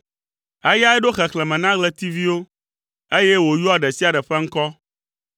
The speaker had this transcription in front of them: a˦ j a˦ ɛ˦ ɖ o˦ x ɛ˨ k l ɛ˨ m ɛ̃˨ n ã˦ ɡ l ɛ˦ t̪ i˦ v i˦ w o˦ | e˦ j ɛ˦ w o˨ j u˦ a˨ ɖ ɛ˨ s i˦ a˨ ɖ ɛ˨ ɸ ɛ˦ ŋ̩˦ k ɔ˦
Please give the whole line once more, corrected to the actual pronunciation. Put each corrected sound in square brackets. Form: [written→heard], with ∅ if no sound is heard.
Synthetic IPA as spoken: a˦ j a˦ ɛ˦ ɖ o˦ x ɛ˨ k l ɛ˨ m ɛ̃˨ n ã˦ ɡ l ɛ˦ t̪ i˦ v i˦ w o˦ | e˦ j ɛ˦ w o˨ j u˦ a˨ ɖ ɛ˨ s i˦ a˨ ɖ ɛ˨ ɸ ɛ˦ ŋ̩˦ k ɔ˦